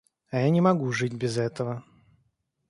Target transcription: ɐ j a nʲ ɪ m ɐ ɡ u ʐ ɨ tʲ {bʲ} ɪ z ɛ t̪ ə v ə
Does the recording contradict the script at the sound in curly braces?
no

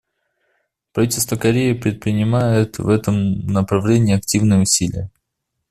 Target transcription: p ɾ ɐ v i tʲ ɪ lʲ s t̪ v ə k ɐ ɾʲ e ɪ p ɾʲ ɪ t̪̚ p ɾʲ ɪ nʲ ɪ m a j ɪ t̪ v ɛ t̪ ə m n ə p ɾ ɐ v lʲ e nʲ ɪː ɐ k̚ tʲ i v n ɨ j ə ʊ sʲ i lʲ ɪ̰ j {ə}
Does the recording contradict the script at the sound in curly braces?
no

